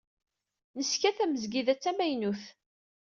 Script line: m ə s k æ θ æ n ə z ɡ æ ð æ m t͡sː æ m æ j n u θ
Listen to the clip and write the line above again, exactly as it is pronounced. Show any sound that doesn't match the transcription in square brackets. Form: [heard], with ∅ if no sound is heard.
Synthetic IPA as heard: [n] ə s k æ θ æ [m] ə z ɡ [i] ð æ [∅] t͡sː æ m æ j n u θ